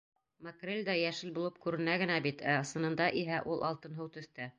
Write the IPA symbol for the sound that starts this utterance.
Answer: m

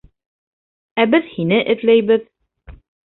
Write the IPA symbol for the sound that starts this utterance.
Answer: æ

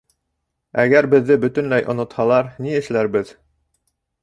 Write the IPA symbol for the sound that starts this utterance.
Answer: æ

